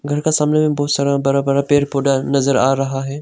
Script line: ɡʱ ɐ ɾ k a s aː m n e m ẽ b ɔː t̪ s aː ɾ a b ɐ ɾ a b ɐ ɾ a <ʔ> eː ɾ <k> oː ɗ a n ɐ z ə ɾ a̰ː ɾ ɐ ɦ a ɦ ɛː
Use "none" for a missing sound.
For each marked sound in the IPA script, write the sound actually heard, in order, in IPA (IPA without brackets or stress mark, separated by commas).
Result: p, p